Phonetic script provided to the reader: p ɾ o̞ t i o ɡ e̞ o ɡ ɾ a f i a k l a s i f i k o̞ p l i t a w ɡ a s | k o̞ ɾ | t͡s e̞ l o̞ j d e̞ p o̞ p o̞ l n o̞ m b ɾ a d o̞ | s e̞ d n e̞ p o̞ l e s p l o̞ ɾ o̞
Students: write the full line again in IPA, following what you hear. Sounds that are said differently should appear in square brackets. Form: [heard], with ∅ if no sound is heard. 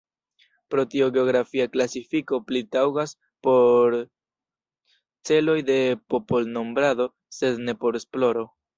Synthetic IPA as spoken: p ɾ o̞ t i o ɡ e̞ o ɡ ɾ a f i a k l a s i f i k o̞ p l i t a w ɡ a s | [p] o̞ ɾ | t͡s e̞ l o̞ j d e̞ p o̞ p o̞ l n o̞ m b ɾ a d o̞ | s e̞ d n e̞ p o̞ [ɾ] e s p l o̞ ɾ o̞